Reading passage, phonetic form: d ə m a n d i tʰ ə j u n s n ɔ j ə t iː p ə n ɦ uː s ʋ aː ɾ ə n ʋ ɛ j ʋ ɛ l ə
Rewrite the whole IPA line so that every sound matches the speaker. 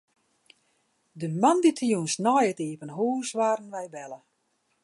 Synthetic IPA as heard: d ə m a n d i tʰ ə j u n s n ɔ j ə t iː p ə n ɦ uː s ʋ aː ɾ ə n ʋ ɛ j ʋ ɛ l ə